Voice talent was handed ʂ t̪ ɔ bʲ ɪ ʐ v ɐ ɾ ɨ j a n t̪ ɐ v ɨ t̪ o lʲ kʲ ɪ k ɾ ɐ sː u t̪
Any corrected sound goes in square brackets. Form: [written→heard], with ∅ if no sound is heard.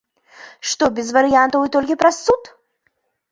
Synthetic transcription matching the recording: ʂ t̪ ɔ bʲ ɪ [ʐ→z] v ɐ ɾ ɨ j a n t̪ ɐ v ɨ t̪ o lʲ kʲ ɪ [k→p] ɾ ɐ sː u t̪